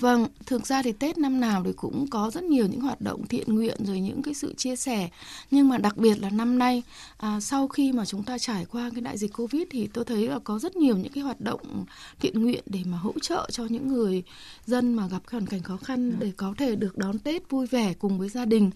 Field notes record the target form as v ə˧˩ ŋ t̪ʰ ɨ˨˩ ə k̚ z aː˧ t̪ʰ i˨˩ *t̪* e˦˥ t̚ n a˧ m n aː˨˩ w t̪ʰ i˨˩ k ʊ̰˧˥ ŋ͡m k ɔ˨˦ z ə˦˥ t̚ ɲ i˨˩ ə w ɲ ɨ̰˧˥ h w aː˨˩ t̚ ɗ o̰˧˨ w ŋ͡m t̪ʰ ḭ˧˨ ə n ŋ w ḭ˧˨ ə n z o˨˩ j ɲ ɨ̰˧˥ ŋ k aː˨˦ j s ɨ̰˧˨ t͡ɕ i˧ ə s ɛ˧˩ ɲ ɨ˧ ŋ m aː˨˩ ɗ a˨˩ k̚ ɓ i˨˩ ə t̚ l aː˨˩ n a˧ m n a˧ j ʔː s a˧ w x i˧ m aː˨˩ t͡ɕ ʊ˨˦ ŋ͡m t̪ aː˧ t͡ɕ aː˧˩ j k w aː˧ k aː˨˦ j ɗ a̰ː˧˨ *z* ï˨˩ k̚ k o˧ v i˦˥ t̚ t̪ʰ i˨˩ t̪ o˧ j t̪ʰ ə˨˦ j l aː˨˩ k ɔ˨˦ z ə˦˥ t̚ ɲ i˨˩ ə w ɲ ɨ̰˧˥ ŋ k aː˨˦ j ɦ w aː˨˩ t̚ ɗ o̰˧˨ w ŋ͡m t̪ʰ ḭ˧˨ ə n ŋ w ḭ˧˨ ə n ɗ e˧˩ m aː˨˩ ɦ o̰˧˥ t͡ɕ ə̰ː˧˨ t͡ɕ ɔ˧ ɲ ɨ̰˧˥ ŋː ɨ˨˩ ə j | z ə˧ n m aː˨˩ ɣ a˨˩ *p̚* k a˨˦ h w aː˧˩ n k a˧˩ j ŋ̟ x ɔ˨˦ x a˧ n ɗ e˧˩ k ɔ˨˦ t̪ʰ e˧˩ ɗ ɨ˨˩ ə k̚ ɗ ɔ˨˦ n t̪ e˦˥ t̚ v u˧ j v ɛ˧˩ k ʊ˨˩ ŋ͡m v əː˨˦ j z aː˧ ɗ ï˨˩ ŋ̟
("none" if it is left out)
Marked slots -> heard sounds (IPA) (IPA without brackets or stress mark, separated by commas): t̪, z, p̚